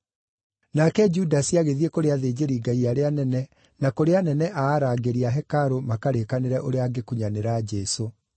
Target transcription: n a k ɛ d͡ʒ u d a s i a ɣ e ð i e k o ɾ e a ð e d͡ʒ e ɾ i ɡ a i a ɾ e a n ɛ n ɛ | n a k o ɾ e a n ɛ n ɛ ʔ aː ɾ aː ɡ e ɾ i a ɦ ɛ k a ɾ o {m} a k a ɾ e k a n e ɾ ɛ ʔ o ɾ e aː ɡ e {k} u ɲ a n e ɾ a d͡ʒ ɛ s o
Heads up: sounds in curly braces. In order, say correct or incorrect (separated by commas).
correct, correct